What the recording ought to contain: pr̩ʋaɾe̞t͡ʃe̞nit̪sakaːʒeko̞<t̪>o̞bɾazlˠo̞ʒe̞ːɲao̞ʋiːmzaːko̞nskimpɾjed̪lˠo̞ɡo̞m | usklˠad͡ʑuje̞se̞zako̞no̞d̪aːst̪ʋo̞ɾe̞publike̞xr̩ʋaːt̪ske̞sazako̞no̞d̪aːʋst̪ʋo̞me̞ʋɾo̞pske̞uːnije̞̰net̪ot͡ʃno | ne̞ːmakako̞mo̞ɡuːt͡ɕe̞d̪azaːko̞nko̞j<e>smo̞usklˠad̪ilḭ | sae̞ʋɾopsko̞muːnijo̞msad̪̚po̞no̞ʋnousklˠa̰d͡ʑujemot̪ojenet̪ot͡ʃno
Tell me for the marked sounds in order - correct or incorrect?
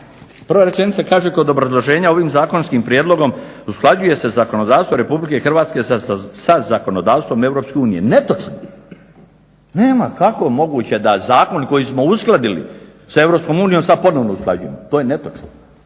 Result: incorrect: d̪, incorrect: i

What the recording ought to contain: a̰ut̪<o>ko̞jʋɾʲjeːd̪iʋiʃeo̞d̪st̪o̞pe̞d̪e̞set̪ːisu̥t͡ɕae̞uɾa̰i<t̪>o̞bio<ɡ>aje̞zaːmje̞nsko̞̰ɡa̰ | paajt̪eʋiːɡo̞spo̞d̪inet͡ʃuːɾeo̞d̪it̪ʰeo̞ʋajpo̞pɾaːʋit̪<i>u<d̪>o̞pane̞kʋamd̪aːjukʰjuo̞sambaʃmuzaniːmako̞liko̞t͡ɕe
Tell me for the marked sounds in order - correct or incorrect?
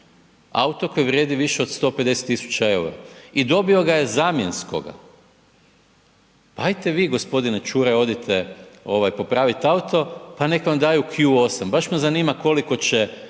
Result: correct, incorrect: d̪, correct, incorrect: a, incorrect: t̪

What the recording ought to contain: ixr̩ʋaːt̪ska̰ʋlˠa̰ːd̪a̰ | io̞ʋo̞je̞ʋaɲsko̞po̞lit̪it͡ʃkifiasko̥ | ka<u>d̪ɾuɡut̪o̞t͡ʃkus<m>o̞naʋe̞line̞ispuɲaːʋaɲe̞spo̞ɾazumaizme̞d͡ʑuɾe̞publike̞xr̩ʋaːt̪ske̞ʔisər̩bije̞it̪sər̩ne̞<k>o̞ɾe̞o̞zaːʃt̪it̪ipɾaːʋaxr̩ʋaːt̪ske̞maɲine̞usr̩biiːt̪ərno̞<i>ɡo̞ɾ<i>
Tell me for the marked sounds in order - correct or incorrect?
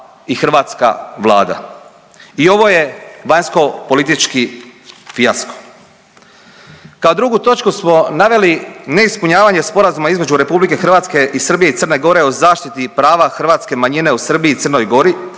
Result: incorrect: o, correct, incorrect: ɡ, incorrect: j, correct

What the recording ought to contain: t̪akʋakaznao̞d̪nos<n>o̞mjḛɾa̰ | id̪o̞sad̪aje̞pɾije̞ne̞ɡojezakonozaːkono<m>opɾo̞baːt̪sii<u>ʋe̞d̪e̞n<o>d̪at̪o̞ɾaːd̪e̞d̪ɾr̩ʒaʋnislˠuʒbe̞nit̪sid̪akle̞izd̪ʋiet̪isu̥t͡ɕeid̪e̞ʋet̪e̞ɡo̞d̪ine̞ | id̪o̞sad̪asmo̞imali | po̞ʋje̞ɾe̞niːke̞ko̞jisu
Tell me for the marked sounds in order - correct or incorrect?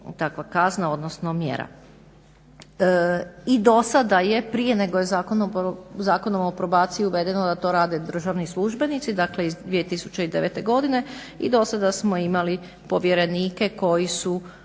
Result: correct, correct, correct, correct

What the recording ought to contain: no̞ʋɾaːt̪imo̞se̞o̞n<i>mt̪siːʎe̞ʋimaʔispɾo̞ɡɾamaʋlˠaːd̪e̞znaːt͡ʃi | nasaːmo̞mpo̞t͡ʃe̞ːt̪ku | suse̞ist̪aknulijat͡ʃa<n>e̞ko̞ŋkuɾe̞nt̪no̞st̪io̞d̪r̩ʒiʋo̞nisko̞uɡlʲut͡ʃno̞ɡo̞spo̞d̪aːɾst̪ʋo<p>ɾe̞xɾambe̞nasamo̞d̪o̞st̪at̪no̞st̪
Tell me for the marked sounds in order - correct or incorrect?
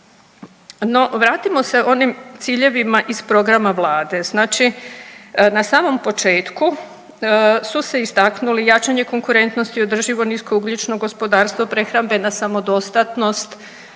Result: correct, incorrect: ɲ, correct

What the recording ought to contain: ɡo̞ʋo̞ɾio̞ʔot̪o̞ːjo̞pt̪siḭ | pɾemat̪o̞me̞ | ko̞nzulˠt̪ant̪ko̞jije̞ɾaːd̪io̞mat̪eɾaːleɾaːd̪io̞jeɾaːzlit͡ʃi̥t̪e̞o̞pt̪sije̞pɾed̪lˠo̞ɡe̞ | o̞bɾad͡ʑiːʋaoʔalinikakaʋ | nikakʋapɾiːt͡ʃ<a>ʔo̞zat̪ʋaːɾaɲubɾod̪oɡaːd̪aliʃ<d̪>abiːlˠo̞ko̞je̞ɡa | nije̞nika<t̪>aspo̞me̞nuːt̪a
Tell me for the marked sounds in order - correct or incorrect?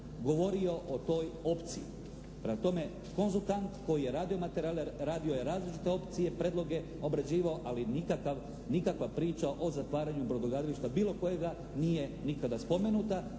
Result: correct, incorrect: t̪, incorrect: d̪

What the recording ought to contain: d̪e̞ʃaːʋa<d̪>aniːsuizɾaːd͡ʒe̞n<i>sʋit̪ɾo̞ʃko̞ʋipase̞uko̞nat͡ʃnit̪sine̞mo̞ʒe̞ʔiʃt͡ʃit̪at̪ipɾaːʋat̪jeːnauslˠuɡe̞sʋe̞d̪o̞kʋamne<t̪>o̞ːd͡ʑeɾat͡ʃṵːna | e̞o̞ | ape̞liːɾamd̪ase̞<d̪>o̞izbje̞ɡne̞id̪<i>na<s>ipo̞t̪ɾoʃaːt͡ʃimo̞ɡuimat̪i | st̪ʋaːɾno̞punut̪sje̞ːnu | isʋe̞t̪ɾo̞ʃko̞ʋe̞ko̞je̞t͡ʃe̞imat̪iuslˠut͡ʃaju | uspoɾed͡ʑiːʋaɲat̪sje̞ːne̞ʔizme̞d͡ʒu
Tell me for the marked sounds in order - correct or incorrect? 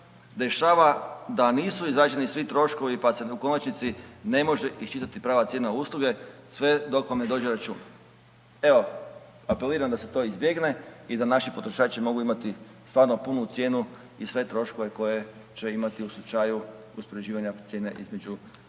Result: correct, correct, incorrect: d̪, incorrect: t̪, incorrect: a, incorrect: ʃ

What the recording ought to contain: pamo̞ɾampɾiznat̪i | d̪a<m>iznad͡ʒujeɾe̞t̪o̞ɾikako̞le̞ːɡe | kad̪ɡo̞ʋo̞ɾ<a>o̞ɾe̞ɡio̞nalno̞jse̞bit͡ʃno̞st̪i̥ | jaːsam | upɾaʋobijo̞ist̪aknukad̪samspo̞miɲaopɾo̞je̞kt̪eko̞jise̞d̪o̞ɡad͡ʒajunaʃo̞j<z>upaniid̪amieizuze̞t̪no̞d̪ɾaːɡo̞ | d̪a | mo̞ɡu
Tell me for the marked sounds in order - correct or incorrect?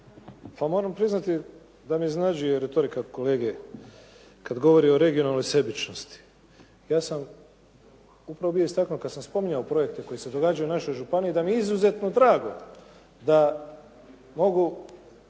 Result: correct, incorrect: i, incorrect: ʒ

